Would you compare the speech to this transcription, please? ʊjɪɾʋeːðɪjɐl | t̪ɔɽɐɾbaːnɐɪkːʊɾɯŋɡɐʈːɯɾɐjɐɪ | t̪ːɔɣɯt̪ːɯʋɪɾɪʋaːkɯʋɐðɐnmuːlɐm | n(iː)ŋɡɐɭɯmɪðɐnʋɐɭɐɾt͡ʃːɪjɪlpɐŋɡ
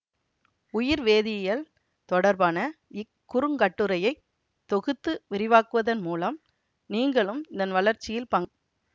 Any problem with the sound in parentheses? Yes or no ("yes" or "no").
no